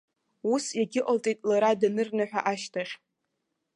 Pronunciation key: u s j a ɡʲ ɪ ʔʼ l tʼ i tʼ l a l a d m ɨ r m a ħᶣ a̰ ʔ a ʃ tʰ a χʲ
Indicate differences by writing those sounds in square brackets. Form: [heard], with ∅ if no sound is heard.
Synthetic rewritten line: u s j a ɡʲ ɪ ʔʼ l tʼ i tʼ l a [ɾ] a d [n] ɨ r [n] a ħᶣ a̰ ʔ a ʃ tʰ a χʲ